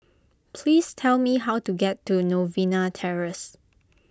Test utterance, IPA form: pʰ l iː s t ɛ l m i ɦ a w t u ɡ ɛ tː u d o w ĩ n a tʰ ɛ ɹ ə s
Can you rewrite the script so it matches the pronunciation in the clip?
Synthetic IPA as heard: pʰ l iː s tʰ ɛ l m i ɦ a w t u ɡ ɛ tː u n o v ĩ n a tʰ ɛ ɹ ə s